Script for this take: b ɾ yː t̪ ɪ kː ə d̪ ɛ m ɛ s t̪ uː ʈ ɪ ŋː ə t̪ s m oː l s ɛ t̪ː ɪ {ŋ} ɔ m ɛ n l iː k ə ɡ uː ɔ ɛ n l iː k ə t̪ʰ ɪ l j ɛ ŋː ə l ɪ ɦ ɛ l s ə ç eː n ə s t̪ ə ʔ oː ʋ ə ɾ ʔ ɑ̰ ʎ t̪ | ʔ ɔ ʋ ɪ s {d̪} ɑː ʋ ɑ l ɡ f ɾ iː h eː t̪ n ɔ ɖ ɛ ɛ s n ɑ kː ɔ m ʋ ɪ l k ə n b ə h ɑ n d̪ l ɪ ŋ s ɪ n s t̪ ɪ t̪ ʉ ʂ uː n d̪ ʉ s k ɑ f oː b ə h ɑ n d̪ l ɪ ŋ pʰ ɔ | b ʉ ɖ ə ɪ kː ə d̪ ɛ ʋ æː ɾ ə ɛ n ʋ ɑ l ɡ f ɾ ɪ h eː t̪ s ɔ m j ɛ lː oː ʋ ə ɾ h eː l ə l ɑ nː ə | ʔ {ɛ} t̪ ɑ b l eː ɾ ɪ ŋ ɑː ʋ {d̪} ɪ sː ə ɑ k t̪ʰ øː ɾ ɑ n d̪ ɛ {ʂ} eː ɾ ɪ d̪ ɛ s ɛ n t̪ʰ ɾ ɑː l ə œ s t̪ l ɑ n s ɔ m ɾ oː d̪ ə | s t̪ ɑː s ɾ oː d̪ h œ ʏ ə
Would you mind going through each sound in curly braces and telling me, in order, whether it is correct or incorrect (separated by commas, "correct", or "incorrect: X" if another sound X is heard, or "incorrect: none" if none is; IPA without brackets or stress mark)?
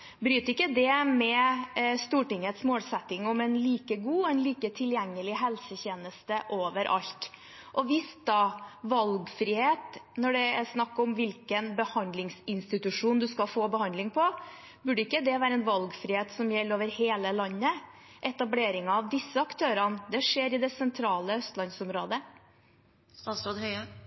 correct, correct, correct, correct, correct